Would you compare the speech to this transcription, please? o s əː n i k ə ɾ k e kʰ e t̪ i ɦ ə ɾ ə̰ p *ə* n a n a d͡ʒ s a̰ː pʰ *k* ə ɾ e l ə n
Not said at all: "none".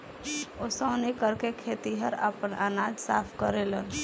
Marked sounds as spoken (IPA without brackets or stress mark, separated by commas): ə, k